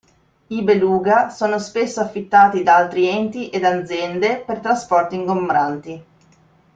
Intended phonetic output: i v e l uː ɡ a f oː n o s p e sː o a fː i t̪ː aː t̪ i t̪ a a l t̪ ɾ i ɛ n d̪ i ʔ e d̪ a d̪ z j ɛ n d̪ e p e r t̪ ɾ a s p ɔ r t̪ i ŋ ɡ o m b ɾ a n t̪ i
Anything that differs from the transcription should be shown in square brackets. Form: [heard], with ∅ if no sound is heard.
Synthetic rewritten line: i [b] e l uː ɡ a [s] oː n o s p e sː o a fː i t̪ː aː t̪ i [d̪] a a l t̪ ɾ i ɛ n [t̪] i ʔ e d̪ a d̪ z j ɛ n d̪ e p e r t̪ ɾ a s p ɔ r t̪ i ŋ ɡ o m b ɾ a n t̪ i